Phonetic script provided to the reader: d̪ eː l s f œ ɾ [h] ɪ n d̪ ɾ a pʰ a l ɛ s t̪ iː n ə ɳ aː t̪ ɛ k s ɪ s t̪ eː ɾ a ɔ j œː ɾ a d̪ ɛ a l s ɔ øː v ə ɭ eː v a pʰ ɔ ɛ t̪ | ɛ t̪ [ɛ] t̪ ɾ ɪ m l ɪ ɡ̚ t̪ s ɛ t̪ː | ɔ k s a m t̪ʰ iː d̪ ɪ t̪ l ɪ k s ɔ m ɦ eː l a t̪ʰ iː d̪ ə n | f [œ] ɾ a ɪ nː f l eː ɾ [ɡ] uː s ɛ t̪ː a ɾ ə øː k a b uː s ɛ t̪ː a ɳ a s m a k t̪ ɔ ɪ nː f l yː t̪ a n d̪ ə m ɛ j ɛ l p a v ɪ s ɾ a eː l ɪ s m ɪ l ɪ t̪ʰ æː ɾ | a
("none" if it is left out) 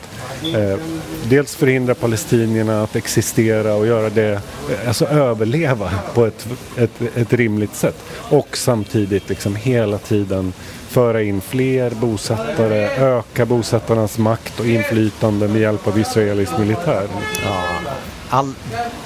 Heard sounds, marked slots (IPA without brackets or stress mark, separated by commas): h, ɛ, œː, b